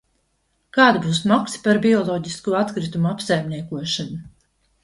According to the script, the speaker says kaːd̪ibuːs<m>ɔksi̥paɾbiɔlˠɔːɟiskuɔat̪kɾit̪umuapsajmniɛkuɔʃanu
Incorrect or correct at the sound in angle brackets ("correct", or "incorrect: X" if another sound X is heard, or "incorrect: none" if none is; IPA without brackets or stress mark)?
correct